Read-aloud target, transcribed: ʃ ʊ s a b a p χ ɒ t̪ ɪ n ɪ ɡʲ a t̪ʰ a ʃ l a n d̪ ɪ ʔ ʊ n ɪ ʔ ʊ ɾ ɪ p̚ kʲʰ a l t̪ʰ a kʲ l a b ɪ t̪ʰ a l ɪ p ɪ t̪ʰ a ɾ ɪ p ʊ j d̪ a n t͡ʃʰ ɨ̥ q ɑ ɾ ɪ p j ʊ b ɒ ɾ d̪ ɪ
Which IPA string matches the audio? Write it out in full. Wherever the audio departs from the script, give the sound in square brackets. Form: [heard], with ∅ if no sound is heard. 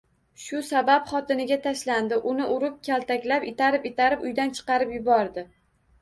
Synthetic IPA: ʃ ʊ s a b a p χ ɒ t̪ ɪ n ɪ ɡʲ a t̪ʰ a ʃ l a n d̪ ɪ ʔ ʊ n ɪ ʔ ʊ ɾ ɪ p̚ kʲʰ a l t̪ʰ a kʲ l a [p] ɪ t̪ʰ a [ɾ] ɪ p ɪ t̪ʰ a ɾ ɪ p ʊ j d̪ a n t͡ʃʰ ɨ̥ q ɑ ɾ ɪ p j ʊ b ɒ ɾ d̪ ɪ